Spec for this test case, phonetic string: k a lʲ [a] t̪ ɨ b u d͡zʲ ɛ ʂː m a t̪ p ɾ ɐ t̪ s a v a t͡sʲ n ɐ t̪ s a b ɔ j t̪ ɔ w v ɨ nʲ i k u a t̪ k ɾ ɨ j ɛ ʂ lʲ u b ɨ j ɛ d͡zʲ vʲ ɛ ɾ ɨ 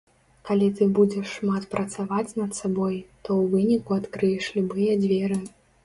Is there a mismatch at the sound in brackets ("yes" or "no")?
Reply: yes